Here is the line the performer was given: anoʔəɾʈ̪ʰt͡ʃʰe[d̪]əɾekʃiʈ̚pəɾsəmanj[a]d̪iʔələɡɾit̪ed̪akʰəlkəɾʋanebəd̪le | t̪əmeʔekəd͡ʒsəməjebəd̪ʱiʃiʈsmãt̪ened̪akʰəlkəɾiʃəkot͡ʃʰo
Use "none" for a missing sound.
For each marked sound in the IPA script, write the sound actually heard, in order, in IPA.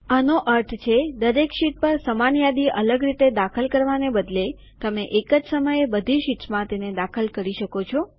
d̪, a

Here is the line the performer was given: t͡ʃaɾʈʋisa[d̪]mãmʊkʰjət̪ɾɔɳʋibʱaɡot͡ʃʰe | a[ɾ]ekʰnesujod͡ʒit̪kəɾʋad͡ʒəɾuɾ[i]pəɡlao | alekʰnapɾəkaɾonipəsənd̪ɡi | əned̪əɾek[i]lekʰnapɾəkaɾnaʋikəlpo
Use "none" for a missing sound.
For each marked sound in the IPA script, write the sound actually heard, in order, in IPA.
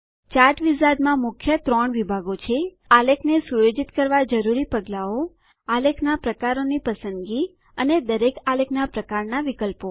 d̪, l, i, a

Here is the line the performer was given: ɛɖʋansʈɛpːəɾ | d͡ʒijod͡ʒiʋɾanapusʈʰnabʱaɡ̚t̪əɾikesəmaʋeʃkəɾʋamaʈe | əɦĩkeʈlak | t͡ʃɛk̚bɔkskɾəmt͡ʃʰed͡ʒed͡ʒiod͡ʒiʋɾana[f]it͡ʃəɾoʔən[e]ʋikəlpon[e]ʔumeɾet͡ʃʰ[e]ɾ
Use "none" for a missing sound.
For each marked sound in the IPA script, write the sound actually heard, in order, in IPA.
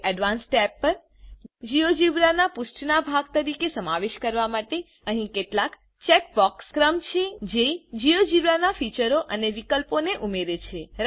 f, e, e, e

